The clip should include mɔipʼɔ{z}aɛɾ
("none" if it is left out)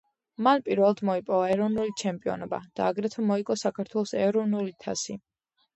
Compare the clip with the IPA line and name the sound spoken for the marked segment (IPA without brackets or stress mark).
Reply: v